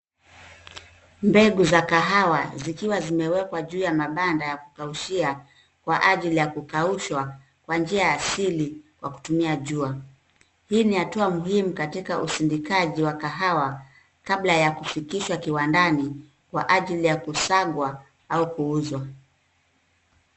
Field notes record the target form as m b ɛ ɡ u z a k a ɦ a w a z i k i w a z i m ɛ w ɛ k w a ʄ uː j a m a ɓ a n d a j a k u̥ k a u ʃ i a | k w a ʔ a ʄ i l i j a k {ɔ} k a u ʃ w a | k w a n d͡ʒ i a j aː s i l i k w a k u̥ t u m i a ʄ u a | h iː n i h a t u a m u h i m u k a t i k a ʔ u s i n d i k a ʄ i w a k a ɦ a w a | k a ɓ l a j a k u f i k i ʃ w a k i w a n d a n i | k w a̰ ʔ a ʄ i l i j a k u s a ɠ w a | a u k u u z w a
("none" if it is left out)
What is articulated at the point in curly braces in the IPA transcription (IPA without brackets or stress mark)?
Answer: u